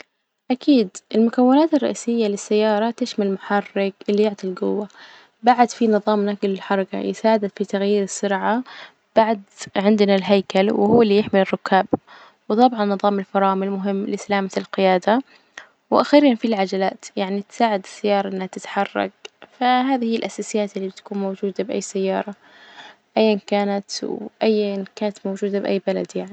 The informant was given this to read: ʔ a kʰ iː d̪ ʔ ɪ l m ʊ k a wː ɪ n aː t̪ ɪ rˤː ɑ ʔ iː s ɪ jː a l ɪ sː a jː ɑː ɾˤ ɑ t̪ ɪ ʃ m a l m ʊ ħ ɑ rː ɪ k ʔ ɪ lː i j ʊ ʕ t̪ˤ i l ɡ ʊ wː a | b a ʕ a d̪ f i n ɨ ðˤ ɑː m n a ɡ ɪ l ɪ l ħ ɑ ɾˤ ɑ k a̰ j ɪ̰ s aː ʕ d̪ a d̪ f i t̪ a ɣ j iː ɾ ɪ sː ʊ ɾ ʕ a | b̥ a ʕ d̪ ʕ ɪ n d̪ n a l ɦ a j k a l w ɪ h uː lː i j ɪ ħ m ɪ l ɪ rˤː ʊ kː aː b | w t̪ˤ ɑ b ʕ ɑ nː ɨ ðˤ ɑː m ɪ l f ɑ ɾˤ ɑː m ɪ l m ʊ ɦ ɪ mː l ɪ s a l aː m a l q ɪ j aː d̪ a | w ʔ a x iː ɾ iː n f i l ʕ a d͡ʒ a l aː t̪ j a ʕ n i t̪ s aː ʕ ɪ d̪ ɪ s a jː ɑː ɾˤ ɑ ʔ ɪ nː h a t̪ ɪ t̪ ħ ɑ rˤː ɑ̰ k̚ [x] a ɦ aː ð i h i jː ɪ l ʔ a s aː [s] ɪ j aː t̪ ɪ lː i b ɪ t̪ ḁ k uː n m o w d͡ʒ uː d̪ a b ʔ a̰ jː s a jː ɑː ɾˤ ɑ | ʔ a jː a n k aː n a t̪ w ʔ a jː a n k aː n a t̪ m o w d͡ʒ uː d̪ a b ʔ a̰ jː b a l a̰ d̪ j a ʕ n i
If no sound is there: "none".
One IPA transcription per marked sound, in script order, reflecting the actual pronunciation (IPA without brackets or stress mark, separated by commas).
f, s